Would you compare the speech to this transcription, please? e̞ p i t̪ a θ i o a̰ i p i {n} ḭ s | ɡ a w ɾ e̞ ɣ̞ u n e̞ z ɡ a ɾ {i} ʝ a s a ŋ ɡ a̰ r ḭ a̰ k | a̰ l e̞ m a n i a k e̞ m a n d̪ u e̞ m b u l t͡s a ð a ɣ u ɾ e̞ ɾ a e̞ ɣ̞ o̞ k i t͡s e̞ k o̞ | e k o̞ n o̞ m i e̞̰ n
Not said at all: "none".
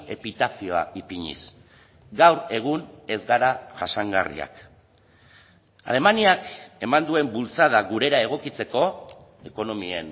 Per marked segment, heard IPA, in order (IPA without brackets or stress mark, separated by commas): ɲ, a